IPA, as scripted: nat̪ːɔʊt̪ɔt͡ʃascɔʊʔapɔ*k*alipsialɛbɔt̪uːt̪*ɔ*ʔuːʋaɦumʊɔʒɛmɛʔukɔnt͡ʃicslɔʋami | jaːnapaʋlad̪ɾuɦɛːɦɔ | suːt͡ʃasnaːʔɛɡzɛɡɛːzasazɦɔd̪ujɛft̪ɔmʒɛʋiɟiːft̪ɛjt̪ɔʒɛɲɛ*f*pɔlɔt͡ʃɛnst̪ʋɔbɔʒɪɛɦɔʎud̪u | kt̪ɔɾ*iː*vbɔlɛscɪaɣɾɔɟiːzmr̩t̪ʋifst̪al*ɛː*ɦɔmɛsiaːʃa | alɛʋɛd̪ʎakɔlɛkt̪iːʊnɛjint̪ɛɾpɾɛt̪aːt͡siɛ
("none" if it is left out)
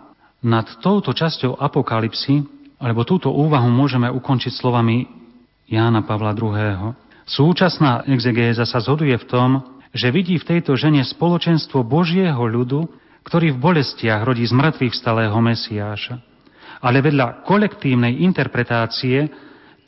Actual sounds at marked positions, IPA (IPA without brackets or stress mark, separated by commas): k, ɔ, s, iː, ɛː